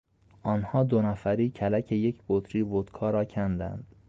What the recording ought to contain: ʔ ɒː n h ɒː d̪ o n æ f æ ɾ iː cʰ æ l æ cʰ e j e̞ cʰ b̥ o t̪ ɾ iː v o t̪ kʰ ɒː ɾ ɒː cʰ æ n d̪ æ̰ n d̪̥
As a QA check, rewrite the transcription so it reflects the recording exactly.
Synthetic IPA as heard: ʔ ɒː n h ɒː d̪ o n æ f æ ɾ iː cʰ æ l æ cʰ e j e̞ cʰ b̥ o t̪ ɾ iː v o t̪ kʰ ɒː ɾ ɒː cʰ æ n d̪ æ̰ n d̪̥